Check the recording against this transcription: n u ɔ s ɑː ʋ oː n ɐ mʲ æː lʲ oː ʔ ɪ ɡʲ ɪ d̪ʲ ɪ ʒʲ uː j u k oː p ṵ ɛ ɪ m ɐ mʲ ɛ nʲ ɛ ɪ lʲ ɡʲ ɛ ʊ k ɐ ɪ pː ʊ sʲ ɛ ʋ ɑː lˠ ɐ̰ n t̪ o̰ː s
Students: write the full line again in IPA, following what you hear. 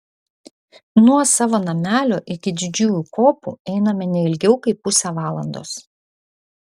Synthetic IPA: n u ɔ s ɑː ʋ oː n ɐ mʲ æː lʲ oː ʔ ɪ kʲ ɪ d̪ʲ ɪ d͡ʒʲ uː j u k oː p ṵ ɛ ɪ n ɐ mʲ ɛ nʲ ɛ ɪ lʲ ɡʲ ɛ ʊ k ɐ ɪ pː ʊ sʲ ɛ ʋ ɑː lˠ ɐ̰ n d̪ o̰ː s

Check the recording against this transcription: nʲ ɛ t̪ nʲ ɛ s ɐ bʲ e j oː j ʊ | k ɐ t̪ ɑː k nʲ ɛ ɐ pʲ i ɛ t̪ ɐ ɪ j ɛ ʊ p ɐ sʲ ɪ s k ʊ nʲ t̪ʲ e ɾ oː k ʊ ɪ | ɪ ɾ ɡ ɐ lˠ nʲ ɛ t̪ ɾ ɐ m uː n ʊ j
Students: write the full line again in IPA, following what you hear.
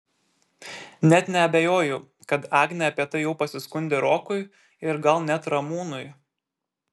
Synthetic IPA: nʲ ɛ t̪ nʲ ɛ ɐ bʲ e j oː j ʊ | k ɐ t̪ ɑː ɡ nʲ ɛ ɐ pʲ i ɛ t̪ ɐ ɪ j ɛ ʊ p ɐ sʲ ɪ s k ʊ nʲ d̪ʲ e ɾ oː k ʊ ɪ | ɪ ɾ ɡ ɐ lˠ nʲ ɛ t̪ ɾ ɐ m uː n ʊ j

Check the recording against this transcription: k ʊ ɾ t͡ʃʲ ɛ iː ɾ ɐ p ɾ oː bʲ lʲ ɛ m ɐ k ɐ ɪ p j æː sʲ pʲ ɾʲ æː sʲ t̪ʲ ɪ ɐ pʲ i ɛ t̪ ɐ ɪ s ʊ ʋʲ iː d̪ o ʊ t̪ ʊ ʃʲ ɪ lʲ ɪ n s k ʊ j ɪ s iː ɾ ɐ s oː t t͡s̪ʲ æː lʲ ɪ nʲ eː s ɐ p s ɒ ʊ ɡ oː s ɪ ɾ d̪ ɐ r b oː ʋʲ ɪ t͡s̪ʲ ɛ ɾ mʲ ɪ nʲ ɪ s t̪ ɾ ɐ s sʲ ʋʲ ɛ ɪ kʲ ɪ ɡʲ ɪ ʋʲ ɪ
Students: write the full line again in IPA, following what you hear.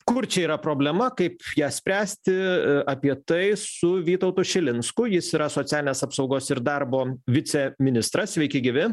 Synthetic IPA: k ʊ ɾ t͡ʃʲ ɛ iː ɾ ɐ p ɾ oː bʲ lʲ ɛ m ɐ k ɐ ɪ p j æː sʲ pʲ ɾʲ æː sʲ t̪ʲ ɪ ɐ pʲ i ɛ t̪ ɐ ɪ s ʊ ʋʲ iː t̪ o ʊ t̪ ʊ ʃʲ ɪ lʲ ɪ n s k ʊ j ɪ s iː ɾ ɐ s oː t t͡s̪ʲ æː lʲ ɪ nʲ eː s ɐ p s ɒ ʊ ɡ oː s ɪ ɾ d̪ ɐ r b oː ʋʲ ɪ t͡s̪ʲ ɛ mʲ ɪ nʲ ɪ s t̪ ɾ ɐ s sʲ ʋʲ ɛ ɪ kʲ ɪ ɡʲ ɪ ʋʲ ɪ

